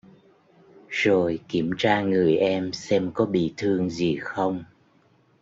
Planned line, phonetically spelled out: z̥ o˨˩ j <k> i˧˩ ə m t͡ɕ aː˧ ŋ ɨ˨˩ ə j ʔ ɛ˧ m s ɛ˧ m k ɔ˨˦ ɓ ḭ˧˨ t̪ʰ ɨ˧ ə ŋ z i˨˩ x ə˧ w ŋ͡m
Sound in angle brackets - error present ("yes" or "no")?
no